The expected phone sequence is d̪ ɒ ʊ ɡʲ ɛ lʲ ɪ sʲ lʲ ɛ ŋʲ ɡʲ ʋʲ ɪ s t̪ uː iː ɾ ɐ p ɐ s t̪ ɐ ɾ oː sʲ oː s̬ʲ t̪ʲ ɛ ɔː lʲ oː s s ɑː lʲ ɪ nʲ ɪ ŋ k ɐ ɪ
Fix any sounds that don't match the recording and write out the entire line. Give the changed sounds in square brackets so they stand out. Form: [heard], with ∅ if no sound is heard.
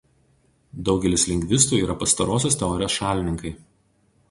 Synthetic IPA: d̪ ɒ ʊ ɡʲ ɛ lʲ ɪ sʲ lʲ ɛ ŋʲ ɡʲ ʋʲ ɪ s t̪ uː iː ɾ ɐ p ɐ s t̪ ɐ ɾ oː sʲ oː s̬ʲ t̪ʲ ɛ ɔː [ɾʲ] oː s [ʃ] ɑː lʲ ɪ nʲ ɪ ŋ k ɐ ɪ